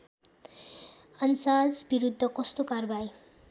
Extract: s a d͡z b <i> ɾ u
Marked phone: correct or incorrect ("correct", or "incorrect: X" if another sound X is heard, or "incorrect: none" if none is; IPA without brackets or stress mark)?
correct